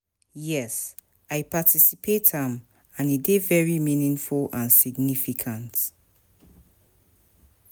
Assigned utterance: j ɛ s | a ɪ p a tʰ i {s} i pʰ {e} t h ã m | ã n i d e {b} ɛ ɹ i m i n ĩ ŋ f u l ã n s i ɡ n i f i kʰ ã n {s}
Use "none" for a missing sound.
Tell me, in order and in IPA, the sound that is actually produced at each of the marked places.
s, e, v, t

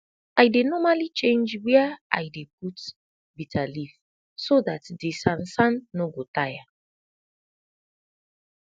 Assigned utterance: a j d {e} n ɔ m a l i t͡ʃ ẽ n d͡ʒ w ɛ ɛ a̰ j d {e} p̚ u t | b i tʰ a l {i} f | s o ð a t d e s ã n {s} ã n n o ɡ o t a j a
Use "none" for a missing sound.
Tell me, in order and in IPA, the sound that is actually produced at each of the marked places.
e, e, i, s

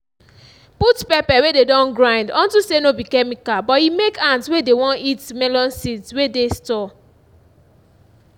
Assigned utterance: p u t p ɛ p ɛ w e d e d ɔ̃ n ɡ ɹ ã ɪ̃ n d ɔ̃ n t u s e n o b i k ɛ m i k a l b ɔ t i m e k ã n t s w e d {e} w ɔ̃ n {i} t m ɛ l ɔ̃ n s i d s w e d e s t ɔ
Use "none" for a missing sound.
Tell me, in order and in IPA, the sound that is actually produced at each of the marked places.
e, i

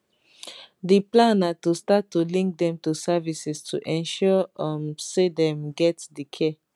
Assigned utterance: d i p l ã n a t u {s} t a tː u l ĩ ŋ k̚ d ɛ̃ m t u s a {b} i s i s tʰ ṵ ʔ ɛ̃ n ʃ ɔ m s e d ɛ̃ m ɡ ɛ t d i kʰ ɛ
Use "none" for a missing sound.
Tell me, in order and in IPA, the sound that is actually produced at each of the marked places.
s, v

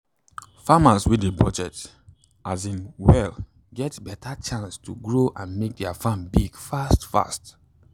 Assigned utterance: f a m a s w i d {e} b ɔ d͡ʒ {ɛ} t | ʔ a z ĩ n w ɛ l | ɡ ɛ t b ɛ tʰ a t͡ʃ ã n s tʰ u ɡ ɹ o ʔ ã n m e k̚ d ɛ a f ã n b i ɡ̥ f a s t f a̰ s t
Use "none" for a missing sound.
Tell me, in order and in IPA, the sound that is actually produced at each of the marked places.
e, ɛ

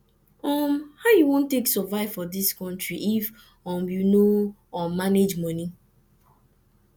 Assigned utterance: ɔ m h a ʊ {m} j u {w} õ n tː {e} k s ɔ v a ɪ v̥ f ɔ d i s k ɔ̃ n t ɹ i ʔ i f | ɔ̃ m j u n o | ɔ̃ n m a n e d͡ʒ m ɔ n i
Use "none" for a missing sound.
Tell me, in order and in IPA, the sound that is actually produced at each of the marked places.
none, w, e

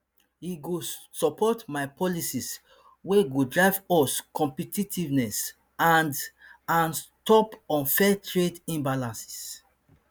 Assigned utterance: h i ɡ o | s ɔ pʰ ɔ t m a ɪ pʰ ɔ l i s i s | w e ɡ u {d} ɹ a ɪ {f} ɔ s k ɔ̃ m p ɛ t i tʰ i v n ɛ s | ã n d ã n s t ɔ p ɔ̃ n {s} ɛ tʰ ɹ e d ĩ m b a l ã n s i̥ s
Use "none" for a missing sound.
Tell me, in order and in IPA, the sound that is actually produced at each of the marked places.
d, v, f

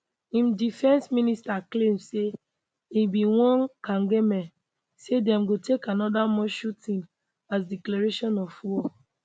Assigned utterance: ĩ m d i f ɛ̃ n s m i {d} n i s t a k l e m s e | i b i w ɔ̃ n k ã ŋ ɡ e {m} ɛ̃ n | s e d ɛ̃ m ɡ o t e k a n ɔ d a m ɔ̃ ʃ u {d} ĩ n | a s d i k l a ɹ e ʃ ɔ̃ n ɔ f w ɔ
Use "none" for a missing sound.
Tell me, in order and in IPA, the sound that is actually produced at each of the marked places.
none, m, t

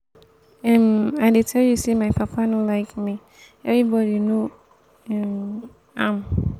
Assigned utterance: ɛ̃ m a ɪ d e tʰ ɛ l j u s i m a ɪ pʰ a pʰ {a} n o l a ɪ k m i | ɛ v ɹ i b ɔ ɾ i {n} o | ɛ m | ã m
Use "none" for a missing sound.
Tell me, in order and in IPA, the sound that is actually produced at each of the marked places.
a, n

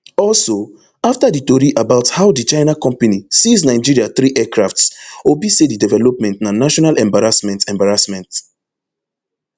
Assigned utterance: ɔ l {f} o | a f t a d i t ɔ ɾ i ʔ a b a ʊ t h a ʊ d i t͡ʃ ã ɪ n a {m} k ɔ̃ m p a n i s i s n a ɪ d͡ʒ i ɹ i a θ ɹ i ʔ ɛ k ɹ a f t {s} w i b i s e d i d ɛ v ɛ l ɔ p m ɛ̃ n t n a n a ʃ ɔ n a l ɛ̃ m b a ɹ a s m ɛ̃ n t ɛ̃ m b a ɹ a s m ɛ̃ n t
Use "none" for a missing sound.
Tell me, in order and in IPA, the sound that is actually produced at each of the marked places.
s, none, s

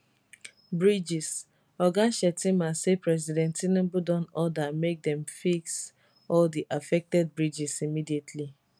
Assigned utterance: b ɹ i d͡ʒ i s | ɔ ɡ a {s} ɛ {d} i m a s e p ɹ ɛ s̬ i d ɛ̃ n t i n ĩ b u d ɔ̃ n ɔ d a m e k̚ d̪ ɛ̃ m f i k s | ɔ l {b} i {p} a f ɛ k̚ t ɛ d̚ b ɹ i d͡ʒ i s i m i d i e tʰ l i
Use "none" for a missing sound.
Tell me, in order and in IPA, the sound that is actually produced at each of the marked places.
ʃ, t, d, ʔ

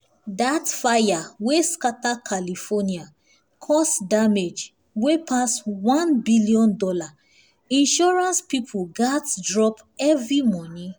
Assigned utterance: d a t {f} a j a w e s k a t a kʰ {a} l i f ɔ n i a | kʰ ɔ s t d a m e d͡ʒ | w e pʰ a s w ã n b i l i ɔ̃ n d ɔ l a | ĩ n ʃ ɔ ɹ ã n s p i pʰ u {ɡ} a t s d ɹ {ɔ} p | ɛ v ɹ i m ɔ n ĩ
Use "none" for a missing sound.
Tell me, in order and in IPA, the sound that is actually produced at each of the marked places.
f, a, ɡ, ɔ

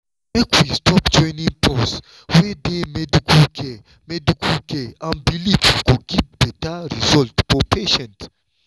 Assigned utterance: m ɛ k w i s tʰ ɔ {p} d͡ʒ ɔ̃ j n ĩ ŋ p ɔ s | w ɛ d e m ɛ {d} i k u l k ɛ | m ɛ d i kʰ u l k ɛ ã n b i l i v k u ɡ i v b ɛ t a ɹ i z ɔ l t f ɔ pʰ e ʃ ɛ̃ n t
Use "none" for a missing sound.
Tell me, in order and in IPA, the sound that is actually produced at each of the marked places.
p, d

